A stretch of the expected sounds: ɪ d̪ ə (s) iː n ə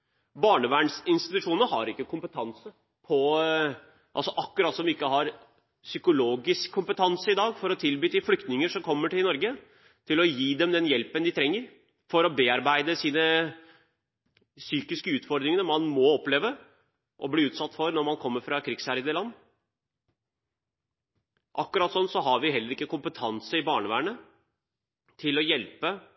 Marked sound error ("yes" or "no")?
no